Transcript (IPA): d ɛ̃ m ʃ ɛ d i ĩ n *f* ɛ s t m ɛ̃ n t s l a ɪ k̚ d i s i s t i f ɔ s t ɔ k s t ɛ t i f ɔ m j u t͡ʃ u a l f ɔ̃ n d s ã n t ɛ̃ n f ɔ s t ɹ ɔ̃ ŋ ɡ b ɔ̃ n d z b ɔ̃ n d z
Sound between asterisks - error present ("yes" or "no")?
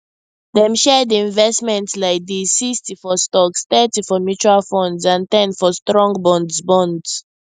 yes